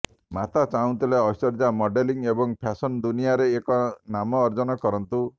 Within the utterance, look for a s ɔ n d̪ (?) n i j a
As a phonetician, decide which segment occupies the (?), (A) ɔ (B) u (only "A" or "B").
B